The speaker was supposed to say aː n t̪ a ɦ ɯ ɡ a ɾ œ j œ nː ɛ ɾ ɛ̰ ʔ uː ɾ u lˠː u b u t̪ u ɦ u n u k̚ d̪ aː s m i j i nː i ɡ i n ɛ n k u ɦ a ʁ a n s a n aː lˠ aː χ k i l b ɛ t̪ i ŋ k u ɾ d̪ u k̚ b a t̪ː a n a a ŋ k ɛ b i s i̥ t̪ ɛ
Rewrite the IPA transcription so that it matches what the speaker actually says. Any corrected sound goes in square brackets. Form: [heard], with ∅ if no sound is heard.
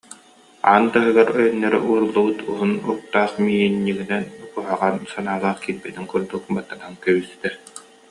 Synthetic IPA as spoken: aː n t̪ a ɦ ɯ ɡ a ɾ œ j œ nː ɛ ɾ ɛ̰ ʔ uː ɾ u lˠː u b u t̪ u ɦ u n u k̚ [t̪] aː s m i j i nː i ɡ i n ɛ n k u ɦ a ʁ a n s a n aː lˠ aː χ k i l b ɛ t̪ i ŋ k u ɾ d̪ u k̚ b a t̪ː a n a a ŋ k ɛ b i s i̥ t̪ ɛ